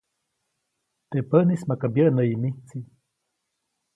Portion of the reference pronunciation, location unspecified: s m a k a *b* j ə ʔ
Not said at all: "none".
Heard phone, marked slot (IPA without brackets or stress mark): b